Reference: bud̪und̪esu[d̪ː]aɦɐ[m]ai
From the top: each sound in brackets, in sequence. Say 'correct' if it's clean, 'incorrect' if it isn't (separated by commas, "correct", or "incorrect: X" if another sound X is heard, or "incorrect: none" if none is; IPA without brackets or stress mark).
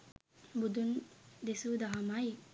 incorrect: d̪, correct